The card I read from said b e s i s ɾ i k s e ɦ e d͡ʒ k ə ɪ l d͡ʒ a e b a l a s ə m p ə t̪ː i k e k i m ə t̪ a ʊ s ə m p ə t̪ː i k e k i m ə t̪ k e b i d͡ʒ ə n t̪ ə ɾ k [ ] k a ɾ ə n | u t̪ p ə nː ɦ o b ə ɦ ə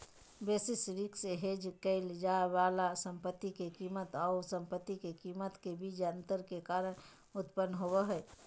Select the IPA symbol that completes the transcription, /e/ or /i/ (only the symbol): e